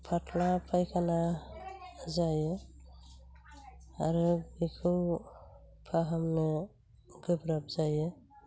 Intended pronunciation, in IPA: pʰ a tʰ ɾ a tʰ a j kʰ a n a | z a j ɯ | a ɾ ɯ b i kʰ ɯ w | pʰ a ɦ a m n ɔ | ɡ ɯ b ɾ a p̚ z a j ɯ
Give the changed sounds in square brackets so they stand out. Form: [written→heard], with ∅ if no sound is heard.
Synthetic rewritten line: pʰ a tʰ [ɾ→l] a [tʰ→pʰ] a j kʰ a n a | z a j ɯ | a ɾ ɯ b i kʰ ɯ w | pʰ a ɦ a m n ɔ | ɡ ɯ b ɾ a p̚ z a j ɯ